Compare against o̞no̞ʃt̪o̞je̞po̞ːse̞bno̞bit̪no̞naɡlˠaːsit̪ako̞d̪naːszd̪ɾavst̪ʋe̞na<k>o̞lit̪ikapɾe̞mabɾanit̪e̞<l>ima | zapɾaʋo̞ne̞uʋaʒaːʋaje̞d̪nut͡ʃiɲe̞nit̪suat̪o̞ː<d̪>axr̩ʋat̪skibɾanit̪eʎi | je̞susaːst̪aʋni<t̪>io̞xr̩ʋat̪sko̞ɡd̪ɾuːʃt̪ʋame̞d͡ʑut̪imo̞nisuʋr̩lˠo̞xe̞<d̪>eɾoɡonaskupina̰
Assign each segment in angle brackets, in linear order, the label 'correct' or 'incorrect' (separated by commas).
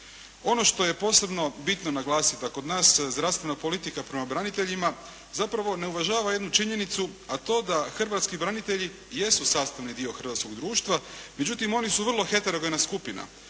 incorrect, incorrect, correct, incorrect, incorrect